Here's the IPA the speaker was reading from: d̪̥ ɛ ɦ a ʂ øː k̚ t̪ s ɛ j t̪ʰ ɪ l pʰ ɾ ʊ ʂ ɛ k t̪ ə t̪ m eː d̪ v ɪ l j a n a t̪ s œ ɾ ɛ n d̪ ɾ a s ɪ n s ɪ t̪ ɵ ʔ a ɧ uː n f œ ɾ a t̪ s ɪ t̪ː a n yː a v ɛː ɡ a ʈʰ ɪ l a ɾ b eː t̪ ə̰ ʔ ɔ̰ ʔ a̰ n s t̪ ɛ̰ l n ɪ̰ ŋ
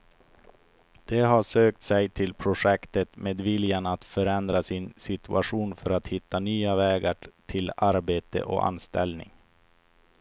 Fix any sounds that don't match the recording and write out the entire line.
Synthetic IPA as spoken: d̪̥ ɛ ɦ a ʂ øː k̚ t̪ s ɛ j t̪ʰ ɪ l pʰ ɾ ʊ ʂ ɛ k t̪ ə t̪ m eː d̪ v ɪ l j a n a t̪ f œ ɾ ɛ n d̪ ɾ a s ɪ n s ɪ t̪ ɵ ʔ a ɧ uː n f œ ɾ a t̪ h ɪ t̪ː a n yː a v ɛː ɡ a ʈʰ ɪ l a ɾ b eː t̪ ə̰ ʔ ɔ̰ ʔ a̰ n s t̪ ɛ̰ l n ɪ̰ ŋ